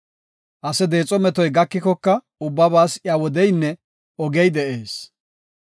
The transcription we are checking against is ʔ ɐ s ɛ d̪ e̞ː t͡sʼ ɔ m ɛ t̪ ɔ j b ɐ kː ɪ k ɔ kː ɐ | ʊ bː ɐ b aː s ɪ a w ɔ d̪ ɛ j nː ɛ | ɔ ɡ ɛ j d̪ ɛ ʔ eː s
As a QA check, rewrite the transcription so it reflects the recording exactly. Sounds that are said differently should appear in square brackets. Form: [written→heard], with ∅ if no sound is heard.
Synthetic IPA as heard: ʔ ɐ s ɛ d̪ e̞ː t͡sʼ ɔ m ɛ t̪ ɔ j [b→ɡ] ɐ kː ɪ k ɔ kː ɐ | ʊ bː ɐ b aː s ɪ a w ɔ d̪ ɛ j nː ɛ | ɔ ɡ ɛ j d̪ ɛ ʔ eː s